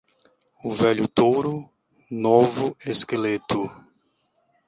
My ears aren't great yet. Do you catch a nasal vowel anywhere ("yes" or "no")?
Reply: no